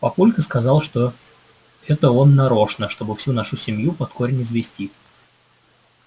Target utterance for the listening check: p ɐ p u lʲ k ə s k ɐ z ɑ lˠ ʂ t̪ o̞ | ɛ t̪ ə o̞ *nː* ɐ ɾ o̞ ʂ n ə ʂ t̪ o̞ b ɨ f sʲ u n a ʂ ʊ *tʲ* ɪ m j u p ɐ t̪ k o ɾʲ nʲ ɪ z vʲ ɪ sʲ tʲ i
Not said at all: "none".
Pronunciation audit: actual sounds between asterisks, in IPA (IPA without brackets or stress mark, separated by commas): nː, sʲ